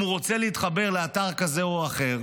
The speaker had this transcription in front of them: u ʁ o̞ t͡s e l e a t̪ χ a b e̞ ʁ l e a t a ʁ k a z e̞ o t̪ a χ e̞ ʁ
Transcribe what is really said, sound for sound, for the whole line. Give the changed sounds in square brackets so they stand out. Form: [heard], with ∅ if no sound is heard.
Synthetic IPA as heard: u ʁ o̞ t͡s e l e [i] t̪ χ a b e̞ ʁ l e a t a ʁ k a z e̞ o [∅] a χ e̞ ʁ